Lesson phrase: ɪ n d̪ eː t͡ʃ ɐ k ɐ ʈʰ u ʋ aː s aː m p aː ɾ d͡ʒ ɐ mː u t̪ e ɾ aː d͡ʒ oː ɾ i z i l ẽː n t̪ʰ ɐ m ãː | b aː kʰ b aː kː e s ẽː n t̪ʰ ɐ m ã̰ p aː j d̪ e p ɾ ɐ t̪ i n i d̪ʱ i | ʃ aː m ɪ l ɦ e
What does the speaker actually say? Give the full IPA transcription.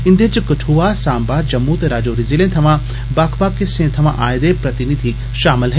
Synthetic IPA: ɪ n d̪ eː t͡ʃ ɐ k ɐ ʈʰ u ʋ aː s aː m b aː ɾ d͡ʒ ɐ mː u t̪ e ɾ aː d͡ʒ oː ɾ i z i l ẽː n t̪ʰ ɐ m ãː | b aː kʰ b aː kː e s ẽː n t̪ʰ ɐ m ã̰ ʔ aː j d̪ e p ɾ ɐ t̪ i n i d̪ʱ i | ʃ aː m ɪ l ɦ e